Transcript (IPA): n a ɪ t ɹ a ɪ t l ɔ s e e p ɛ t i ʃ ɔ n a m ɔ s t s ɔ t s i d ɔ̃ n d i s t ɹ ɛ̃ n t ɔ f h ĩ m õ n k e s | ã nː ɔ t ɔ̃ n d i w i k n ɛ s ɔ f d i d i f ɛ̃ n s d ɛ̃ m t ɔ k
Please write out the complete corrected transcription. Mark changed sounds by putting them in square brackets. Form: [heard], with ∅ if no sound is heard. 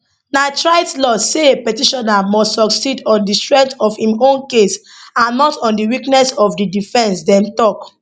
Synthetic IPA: n a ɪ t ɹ a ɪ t l ɔ s e e p ɛ t i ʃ ɔ n a m ɔ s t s ɔ [k] s i d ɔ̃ n d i s t ɹ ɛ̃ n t ɔ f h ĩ m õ n k e s | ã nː ɔ t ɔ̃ n d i w i k n ɛ s ɔ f d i d i f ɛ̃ n s d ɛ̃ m t ɔ k